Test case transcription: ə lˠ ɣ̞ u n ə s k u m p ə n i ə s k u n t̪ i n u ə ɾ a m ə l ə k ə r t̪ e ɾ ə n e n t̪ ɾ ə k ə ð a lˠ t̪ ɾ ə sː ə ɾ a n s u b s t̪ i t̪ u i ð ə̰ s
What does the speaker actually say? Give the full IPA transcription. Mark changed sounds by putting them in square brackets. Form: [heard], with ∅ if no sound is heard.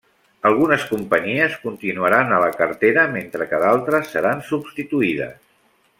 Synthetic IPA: ə lˠ ɣ̞ u n ə s k u m p ə [ɲ] i ə s k u n t̪ i n u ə ɾ a [n] ə l ə k ə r t̪ e ɾ ə [m] e n t̪ ɾ ə k ə ð a lˠ t̪ ɾ ə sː ə ɾ a n s u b s t̪ i t̪ u i ð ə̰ s

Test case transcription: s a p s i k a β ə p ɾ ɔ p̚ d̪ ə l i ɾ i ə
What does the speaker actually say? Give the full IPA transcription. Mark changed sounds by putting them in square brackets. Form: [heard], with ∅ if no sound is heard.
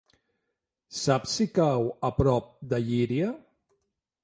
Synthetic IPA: s a p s i k a [w] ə p ɾ ɔ p̚ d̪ ə [ʎ] i ɾ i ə

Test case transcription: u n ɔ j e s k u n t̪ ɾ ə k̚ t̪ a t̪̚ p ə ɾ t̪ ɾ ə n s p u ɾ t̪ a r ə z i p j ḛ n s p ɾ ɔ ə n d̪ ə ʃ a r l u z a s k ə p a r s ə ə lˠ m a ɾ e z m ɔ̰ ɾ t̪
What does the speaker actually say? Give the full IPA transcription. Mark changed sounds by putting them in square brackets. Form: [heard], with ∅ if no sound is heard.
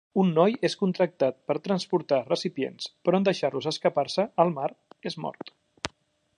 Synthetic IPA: u [nː] ɔ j e s k u n t̪ ɾ ə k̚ t̪ a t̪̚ p ə ɾ t̪ ɾ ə n s p u ɾ t̪ a r ə [s] i p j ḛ n s p ɾ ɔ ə n d̪ ə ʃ a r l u z [ə] s k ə p a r s ə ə lˠ m a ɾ e z m ɔ̰ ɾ t̪

